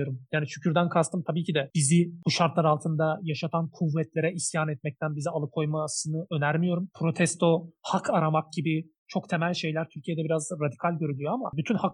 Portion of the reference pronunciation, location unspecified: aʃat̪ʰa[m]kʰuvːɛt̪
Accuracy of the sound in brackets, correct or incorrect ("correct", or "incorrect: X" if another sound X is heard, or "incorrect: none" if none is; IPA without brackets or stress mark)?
incorrect: n